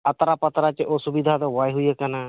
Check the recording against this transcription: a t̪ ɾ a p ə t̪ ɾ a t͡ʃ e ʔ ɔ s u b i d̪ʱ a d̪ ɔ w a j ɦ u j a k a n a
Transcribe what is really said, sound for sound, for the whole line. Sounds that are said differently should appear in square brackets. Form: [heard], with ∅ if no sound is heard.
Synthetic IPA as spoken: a t̪ ɾ a p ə t̪ ɾ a t͡ʃ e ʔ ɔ s u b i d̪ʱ a d̪ ɔ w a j ɦ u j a k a n a

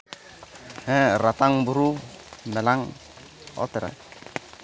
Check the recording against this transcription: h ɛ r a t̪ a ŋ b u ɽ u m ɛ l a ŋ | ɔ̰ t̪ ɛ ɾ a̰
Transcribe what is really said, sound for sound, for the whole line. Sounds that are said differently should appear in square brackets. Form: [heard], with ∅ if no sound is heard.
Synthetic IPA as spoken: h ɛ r a t̪ a ŋ b u [ɾ] u m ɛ l a ŋ | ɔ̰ t̪ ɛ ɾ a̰

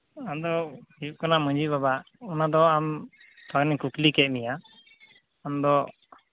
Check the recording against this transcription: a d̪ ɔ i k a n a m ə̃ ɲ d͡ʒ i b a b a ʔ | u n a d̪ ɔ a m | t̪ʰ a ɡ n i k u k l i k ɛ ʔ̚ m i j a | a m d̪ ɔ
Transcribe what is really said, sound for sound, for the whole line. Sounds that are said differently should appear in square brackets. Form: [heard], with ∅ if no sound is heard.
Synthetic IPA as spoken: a d̪ ɔ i k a n a m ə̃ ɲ d͡ʒ i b a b a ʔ | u n a d̪ ɔ a m | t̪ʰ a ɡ n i k u k l i k ɛ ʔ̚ m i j a | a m d̪ ɔ

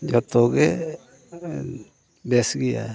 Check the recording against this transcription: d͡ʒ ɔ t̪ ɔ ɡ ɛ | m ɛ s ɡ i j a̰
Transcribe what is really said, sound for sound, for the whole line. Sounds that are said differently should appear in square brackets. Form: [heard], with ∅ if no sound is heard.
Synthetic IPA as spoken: d͡ʒ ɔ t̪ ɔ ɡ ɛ | [b] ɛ s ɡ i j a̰

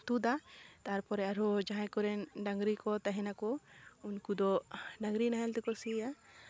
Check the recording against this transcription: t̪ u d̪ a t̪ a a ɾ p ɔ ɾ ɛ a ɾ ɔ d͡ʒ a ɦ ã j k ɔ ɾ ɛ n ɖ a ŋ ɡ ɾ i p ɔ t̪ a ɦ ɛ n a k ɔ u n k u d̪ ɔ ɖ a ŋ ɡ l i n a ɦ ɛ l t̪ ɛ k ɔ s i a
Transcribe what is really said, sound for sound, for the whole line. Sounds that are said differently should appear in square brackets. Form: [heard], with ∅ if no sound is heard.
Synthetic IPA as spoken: t̪ u d̪ a t̪ a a ɾ p ɔ ɾ ɛ a ɾ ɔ d͡ʒ a ɦ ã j k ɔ ɾ ɛ n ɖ a ŋ ɡ ɾ i [k] ɔ t̪ a ɦ ɛ n a k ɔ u n k u d̪ ɔ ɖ a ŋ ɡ [ɾ] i n a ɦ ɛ l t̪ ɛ k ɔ s i a

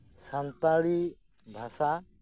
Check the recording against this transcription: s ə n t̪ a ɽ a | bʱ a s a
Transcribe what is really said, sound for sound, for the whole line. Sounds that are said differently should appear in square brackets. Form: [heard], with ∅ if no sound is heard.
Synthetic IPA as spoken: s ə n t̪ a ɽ [i] | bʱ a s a

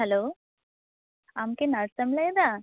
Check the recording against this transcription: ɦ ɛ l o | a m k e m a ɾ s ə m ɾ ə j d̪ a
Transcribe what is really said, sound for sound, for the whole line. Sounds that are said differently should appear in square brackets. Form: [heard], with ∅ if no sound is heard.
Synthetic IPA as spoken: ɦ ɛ l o | a m k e [n] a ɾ s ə m [l] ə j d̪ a

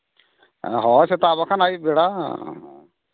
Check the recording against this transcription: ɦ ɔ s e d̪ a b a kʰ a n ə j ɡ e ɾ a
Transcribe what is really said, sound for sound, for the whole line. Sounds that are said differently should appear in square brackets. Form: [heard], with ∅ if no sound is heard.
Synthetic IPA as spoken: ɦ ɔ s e [t̪] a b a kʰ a n [a] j [b] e [ɽ] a

